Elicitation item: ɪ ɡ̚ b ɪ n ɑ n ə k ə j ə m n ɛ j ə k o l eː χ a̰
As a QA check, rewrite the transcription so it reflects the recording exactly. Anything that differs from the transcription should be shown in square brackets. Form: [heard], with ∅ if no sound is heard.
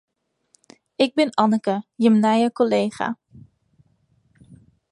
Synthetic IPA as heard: ɪ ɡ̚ b ɪ n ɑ n ə k ə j ə m n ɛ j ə k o l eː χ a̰